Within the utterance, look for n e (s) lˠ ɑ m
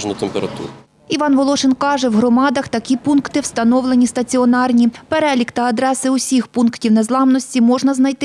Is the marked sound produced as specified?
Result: no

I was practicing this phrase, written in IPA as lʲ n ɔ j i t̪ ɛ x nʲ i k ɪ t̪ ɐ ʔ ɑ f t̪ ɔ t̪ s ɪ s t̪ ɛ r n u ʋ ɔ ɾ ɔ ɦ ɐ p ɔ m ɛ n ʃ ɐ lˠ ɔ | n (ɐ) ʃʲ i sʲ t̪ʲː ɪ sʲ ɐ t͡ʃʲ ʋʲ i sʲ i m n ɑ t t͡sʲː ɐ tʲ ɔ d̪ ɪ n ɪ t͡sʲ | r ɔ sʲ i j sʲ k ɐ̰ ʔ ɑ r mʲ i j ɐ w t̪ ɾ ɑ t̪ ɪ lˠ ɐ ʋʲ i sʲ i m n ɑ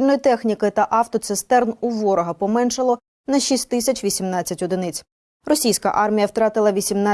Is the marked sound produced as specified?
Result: yes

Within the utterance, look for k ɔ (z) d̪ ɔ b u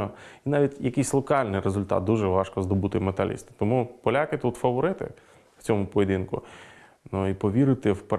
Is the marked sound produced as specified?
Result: yes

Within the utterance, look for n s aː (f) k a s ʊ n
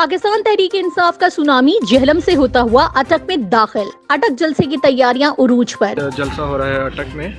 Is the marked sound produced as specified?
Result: yes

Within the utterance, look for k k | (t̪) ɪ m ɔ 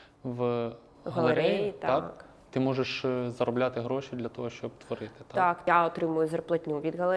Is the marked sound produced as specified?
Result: yes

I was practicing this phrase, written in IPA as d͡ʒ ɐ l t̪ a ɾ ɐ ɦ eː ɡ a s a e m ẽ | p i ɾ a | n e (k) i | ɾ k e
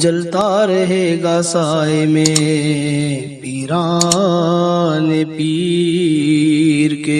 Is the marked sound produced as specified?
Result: no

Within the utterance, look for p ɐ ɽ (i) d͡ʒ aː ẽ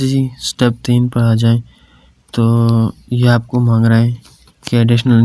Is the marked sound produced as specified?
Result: no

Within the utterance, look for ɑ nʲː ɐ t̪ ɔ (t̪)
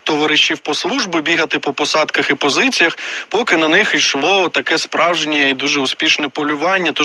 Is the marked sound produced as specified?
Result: no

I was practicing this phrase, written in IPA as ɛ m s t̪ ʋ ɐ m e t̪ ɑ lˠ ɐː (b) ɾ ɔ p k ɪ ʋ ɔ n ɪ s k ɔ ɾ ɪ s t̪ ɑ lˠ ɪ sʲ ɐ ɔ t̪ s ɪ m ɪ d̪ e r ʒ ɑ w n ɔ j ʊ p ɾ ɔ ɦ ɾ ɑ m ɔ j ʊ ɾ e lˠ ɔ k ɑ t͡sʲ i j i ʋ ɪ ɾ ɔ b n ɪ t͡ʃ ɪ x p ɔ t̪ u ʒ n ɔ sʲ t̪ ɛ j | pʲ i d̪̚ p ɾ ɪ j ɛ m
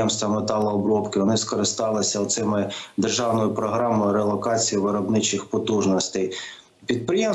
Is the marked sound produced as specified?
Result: yes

